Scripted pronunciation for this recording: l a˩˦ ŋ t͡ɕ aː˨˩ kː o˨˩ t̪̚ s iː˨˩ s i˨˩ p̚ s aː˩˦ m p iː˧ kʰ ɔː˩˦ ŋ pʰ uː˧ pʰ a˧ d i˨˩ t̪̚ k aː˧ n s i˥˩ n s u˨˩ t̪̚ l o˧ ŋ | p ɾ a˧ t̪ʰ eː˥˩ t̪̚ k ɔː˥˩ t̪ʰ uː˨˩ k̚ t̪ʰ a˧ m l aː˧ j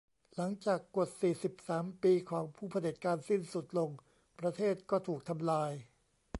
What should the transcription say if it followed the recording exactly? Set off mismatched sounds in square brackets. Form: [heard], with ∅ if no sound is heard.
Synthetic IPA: l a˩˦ ŋ t͡ɕ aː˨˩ kː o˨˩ t̪̚ s iː˨˩ s i˨˩ p̚ s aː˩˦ m p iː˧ kʰ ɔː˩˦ ŋ pʰ [uː˥˩] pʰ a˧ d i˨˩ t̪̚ k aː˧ n s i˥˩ n s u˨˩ t̪̚ l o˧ ŋ | p ɾ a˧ t̪ʰ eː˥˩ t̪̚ k ɔː˥˩ t̪ʰ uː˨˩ k̚ t̪ʰ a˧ m l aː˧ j

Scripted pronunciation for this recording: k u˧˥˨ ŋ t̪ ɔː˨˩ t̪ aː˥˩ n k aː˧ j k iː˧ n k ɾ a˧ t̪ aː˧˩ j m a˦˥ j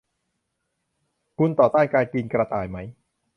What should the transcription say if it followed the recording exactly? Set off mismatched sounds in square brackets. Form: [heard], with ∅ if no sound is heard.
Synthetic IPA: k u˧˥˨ [n] t̪ ɔː˨˩ t̪ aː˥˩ n k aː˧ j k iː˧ n k ɾ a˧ t̪ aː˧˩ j m a˦˥ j

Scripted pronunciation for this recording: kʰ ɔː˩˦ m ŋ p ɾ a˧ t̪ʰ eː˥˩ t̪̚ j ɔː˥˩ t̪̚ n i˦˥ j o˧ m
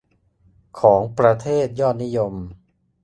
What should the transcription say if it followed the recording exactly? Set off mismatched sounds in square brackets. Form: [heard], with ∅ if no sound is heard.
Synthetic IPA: kʰ ɔː˩˦ [∅] ŋ p ɾ a˧ t̪ʰ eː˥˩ t̪̚ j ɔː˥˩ t̪̚ n i˦˥ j o˧ m

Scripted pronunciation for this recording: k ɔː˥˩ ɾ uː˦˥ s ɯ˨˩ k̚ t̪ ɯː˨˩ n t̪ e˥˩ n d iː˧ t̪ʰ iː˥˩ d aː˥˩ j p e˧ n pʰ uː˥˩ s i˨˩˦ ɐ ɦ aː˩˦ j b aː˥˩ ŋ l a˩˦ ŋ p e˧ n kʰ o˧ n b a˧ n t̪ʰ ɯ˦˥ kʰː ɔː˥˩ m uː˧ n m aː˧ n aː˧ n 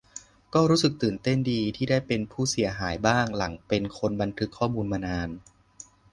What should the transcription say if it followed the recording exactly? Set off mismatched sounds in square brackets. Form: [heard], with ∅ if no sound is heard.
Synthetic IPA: k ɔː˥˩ ɾ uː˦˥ s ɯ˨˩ k̚ t̪ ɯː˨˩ n t̪ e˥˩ n d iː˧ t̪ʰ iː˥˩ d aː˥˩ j p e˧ n pʰ uː˥˩ s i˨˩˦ ɐ ɦ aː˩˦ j b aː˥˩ ŋ l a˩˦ ŋ p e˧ n kʰ o˧ n b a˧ n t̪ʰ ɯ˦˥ kʰː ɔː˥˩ m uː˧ n m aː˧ n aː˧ n

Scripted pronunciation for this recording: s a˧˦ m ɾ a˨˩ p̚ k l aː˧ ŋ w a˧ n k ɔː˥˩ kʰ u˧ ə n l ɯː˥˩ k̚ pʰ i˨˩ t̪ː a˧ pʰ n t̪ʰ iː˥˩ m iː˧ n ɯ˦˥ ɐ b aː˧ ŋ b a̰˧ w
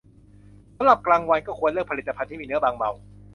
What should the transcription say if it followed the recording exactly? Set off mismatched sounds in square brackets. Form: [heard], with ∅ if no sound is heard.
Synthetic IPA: s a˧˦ m ɾ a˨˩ p̚ k l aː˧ ŋ w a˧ n k ɔː˥˩ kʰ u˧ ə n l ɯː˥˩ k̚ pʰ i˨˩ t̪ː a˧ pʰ n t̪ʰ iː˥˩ m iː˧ n ɯ˦˥ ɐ b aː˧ ŋ b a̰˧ w

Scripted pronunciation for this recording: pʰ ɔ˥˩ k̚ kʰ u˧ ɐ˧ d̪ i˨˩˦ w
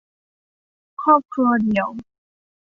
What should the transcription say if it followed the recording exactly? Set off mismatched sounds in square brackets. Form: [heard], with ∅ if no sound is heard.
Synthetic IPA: [kʰ] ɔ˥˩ [p̚] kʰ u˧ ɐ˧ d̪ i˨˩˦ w

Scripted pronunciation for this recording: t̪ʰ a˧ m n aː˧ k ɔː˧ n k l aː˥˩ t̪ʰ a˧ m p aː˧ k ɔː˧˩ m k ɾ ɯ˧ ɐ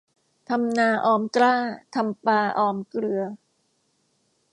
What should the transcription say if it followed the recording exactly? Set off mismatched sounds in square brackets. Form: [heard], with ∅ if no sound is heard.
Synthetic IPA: t̪ʰ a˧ m n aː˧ [ʔ] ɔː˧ [m] k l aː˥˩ t̪ʰ a˧ m p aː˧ [ʔ] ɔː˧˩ m k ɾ ɯ˧ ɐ

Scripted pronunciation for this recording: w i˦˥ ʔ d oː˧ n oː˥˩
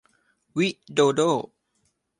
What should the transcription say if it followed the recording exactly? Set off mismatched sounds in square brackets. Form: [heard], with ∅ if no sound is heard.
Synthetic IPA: w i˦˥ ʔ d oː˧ [d] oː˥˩

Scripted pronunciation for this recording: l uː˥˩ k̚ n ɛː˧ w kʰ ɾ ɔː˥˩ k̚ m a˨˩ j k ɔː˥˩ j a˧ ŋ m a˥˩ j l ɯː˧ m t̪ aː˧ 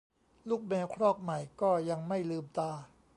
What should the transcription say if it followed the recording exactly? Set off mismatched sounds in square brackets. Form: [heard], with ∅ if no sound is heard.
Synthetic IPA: l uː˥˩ k̚ [m] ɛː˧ w kʰ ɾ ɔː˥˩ k̚ m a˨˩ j k ɔː˥˩ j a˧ ŋ m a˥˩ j l ɯː˧ m t̪ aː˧

